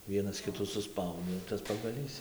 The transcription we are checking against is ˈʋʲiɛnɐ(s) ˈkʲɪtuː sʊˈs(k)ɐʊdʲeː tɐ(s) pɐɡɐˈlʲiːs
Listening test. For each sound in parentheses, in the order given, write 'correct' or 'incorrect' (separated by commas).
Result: correct, incorrect, correct